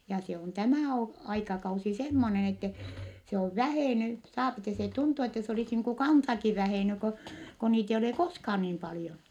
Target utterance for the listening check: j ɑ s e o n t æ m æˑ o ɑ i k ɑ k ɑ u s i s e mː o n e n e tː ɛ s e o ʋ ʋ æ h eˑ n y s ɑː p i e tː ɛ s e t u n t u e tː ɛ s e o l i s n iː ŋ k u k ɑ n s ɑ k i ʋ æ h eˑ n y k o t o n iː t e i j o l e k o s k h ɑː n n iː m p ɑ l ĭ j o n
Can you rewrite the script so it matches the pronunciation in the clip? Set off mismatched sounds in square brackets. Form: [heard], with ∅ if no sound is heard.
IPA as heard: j ɑ s e o n t æ m æˑ o ɑ i k ɑ k ɑ u s i s e mː o n e n e tː ɛ s e o ʋ ʋ æ h eˑ n y s ɑː p i e tː ɛ s e t u n t u e tː ɛ s e o l i s n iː ŋ k u k ɑ n s ɑ k i ʋ æ h eˑ n y k o [k] o n iː t e i j o l e k o s k h ɑː n n iː m p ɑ l ĭ j o n

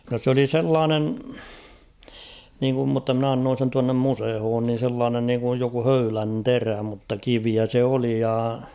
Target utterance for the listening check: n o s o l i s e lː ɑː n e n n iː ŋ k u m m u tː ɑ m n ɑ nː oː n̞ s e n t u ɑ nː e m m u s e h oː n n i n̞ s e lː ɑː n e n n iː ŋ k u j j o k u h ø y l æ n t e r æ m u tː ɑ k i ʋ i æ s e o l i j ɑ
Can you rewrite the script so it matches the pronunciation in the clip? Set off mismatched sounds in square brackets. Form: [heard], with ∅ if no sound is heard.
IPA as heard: n o s o l i s e lː ɑː n e n n iː ŋ k u m m u tː ɑ m n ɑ nː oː n̞ s e n t u ɑ nː e m m u s e h oː n n i n̞ s e lː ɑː n e n n iː ŋ k u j j o k u h ø y l æ n t e r æ m u tː ɑ k i ʋ i æ s e o l i j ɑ

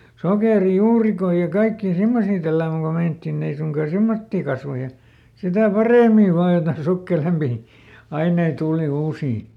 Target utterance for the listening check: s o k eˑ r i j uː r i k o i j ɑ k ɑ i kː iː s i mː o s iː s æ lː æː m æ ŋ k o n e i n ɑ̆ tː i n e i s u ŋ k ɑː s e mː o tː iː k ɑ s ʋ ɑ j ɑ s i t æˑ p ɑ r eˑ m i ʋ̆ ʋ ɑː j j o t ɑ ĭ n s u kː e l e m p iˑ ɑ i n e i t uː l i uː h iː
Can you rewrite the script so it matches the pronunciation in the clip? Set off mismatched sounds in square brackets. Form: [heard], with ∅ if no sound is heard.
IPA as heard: s o k eˑ r i j uː r i k o i j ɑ k ɑ i kː iː s i mː o s iː [t] æ lː æː m æ ŋ k o [m] e i n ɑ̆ tː i n e i s u ŋ k ɑː s e mː o tː iː k ɑ s ʋ ɑ j ɑ s i t æˑ p ɑ r eˑ m i ʋ̆ ʋ ɑː j j o t ɑ ĭ n s u kː e l e m p iˑ ɑ i n e i t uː l i uː [s] iː

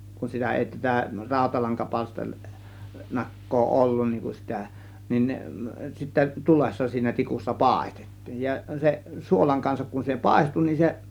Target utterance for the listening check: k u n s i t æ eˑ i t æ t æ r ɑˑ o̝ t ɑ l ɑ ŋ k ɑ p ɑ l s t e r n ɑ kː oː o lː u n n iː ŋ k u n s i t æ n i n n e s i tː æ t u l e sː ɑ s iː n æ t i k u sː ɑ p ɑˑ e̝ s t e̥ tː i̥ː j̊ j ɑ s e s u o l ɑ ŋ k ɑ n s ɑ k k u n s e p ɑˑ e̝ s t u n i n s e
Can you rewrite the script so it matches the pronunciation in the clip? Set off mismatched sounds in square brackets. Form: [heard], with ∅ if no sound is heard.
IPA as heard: k u n s i t æ eˑ i t æ t æ r ɑˑ o̝ t ɑ l ɑ ŋ k ɑ p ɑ l s t e r n ɑ kː oː o lː u n n iː ŋ k u n s i t æ n i n n e s i tː æ t u l e sː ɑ s iː n æ t i k u sː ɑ p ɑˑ e̝ s t e̥ tː i̥ː j̊ j ɑ s e s u o l ɑ ŋ k ɑ n s ɑ k k u n s e p ɑˑ e̝ s t u n i n s e

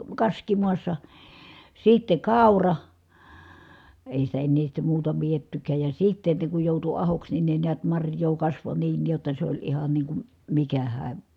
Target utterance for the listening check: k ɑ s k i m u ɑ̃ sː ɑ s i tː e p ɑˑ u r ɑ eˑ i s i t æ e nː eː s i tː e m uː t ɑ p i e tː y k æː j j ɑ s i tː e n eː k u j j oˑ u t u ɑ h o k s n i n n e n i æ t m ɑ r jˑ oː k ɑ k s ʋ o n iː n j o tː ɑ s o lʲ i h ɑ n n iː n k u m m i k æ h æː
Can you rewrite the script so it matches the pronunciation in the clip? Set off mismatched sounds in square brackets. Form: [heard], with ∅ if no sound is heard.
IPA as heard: k ɑ s k i m u [ɑ] sː ɑ s i tː e [k] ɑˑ u r ɑ eˑ i s i t æ e nː eː s i tː e m uː t ɑ p i e tː y k æː j j ɑ s i tː e n [e] k u j j oˑ u t u ɑ h o k s n i n n e n i æ t m ɑ r jˑ oː k ɑ [∅] s ʋ o n iː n j o tː ɑ s o lʲ i h ɑ n n iː [ŋ] k u m m i k æ h æː

